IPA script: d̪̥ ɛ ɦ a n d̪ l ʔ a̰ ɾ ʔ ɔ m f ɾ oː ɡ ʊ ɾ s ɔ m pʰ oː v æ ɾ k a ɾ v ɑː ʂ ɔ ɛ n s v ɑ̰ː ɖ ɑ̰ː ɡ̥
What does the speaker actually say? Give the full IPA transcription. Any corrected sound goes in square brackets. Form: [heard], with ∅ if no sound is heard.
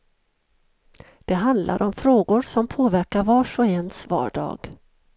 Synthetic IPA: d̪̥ ɛ ɦ a n d̪ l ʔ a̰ ɾ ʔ ɔ m f ɾ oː ɡ ʊ ɾ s ɔ m pʰ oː v æ ɾ k a ɾ v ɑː ʂ ɔ ɛ n s v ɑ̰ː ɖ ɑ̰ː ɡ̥